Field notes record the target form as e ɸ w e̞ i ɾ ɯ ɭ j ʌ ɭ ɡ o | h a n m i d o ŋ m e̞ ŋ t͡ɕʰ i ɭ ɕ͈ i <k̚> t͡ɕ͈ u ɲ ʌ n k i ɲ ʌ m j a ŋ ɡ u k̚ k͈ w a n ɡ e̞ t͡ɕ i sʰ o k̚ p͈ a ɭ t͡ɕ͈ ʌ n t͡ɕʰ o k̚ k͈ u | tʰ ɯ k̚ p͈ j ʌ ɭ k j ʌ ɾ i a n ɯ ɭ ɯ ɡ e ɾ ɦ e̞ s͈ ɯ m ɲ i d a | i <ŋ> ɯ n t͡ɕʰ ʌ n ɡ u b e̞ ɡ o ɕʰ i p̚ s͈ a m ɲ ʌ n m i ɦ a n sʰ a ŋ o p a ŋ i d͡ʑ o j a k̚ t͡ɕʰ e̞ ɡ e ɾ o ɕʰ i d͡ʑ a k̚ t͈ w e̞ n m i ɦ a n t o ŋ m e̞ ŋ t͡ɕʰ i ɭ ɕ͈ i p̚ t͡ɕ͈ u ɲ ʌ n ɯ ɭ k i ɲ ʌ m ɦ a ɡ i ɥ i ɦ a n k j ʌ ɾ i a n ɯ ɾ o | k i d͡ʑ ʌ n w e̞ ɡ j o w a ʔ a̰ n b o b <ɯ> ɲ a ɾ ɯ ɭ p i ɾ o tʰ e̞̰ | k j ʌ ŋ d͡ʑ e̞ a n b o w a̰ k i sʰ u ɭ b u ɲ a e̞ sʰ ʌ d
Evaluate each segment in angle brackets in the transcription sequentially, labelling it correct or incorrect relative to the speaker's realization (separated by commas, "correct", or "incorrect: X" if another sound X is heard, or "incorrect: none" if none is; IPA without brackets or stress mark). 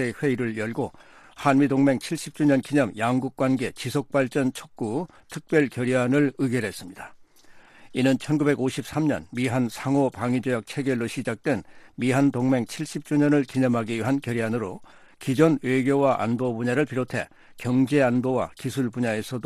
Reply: incorrect: p̚, incorrect: n, incorrect: u